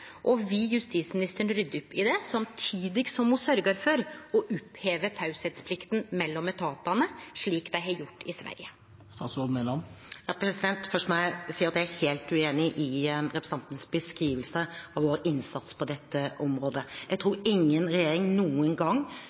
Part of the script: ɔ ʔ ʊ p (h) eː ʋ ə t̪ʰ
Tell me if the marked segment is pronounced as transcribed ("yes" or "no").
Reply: yes